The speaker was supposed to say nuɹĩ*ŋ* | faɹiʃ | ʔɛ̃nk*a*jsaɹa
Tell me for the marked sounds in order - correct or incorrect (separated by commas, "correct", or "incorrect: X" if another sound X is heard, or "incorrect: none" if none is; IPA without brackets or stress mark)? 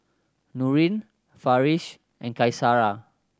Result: incorrect: n, correct